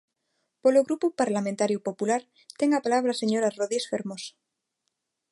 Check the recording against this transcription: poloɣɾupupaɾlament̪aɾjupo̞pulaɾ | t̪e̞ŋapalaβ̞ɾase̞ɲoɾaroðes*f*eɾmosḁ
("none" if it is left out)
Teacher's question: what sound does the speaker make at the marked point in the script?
f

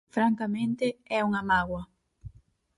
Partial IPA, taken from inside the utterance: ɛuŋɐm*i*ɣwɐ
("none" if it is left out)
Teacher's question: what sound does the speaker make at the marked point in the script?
a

